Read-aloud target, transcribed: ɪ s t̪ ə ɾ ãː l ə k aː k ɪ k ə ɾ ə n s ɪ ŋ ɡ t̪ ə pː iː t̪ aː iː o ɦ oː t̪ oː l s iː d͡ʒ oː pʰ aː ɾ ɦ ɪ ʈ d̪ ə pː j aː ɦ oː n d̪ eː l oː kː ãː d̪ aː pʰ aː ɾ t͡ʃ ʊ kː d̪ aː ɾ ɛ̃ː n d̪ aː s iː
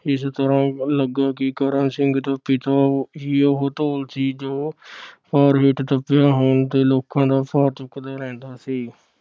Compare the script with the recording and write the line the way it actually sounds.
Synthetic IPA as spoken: ɪ s t̪ ə ɾ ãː l ə ɡ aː k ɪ k ə ɾ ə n s ɪ ŋ ɡ t̪ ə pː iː t̪ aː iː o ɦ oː t̪ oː l s iː d͡ʒ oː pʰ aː ɾ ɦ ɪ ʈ t̪ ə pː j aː ɦ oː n t̪ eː l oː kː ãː d̪ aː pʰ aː ɾ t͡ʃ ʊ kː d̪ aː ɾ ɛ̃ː n d̪ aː s iː

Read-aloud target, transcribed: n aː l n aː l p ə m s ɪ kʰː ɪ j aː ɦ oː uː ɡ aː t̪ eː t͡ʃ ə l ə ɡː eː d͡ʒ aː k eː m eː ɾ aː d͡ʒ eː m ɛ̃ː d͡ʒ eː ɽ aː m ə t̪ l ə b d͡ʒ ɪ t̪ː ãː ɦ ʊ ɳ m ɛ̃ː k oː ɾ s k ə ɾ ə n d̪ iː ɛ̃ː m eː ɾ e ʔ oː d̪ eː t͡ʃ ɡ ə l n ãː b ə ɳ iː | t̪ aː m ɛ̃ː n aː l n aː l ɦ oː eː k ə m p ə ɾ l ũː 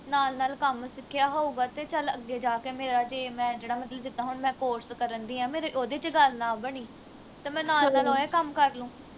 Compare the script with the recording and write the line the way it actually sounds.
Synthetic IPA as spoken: n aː l n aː l k ə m s ɪ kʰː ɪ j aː ɦ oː uː ɡ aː t̪ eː t͡ʃ ə l ə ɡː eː d͡ʒ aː k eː m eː ɾ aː d͡ʒ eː m ɛ̃ː d͡ʒ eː ɽ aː m ə t̪ l ə b d͡ʒ ɪ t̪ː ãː ɦ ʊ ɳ m ɛ̃ː k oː ɾ s k ə ɾ ə n d̪ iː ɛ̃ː m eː ɾ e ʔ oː d̪ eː t͡ʃ ɡ ə l n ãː b ə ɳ iː | t̪ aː m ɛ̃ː n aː l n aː l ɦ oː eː k ə m k ə ɾ l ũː

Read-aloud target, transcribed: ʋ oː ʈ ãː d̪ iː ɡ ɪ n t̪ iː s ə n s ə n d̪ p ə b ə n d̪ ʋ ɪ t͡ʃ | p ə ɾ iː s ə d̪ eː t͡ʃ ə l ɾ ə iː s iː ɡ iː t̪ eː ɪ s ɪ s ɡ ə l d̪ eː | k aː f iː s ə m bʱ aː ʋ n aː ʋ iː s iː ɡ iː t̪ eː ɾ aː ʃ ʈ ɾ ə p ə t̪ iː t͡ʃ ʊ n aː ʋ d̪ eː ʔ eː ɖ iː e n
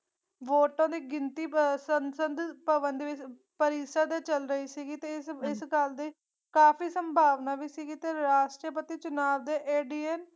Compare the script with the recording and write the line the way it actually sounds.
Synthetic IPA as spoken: ʋ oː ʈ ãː d̪ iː ɡ ɪ n t̪ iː s ə n s ə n d̪ p ə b ə n d̪ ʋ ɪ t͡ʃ | p ə ɾ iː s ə d̪ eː t͡ʃ ə l ɾ ə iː s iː ɡ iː t̪ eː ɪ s ɪ s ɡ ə l d̪ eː | k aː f iː s ə m bʱ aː ʋ n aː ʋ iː s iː ɡ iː t̪ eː ɾ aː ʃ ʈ ɾ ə p ə t̪ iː t͡ʃ ʊ n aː ʋ d̪ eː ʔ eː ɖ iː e n

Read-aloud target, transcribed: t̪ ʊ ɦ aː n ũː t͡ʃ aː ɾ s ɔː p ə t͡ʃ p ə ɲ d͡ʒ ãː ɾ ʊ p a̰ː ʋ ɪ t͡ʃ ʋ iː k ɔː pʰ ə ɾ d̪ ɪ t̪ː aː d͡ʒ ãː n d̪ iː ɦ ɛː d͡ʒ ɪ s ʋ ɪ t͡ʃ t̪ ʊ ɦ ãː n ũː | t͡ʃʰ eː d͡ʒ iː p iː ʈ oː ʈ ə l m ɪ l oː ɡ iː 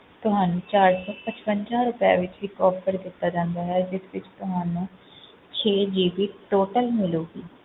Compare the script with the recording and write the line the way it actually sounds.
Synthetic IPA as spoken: t̪ ʊ ɦ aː n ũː t͡ʃ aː ɾ s ɔː p ə t͡ʃ p ə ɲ d͡ʒ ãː ɾ ʊ p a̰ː ʋ ɪ t͡ʃ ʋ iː k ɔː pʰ ə ɾ d̪ ɪ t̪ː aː d͡ʒ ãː n d̪ aː ɦ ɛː d͡ʒ ɪ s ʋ ɪ t͡ʃ t̪ ʊ ɦ aː n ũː | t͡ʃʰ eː d͡ʒ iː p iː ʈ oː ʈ ə l m ɪ l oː ɡ iː

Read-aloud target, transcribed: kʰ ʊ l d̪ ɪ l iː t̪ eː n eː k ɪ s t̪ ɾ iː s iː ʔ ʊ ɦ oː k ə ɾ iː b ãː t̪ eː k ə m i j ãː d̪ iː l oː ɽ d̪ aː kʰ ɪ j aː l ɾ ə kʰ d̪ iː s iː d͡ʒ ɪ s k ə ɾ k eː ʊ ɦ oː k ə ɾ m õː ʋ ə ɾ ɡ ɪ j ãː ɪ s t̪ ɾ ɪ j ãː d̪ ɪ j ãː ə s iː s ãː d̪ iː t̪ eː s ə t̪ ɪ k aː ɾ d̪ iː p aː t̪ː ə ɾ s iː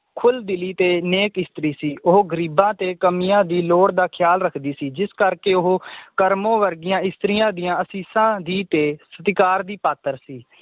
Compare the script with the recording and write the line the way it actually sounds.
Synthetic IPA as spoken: kʰ ʊ l d̪ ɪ l iː t̪ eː n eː k ɪ s t̪ ɾ iː s iː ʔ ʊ ɦ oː ɡ ə ɾ iː b ãː t̪ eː k ə m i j ãː d̪ iː l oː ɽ d̪ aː kʰ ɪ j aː l ɾ ə kʰ d̪ iː s iː d͡ʒ ɪ s k ə ɾ k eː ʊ ɦ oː k ə ɾ m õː ʋ ə ɾ ɡ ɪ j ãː ɪ s t̪ ɾ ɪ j ãː d̪ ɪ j ãː ə s iː s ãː d̪ iː t̪ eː s ə t̪ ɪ k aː ɾ d̪ iː p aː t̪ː ə ɾ s iː

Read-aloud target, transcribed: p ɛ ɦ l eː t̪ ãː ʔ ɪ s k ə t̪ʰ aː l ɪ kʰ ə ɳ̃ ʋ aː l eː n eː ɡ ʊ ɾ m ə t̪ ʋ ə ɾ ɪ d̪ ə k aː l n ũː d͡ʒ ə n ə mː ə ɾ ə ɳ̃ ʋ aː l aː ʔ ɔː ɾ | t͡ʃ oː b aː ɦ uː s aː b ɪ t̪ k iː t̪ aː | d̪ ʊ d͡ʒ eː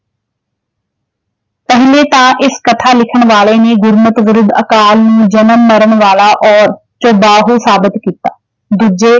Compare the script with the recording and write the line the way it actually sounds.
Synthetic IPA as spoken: p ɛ ɦ l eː t̪ ãː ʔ ɪ s k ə t̪ʰ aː l ɪ kʰ ə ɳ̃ ʋ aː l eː n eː ɡ ʊ ɾ m ə t̪ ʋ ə ɾ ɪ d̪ ə k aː l n ũː d͡ʒ ə n ə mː ə ɾ ə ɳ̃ ʋ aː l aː ʔ ɔː ɾ | t͡ʃ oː b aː ɦ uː s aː b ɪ t̪ k iː t̪ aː | d̪ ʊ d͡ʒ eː

